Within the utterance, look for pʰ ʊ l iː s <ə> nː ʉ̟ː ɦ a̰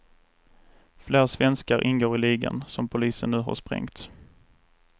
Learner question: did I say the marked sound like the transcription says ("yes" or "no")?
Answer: yes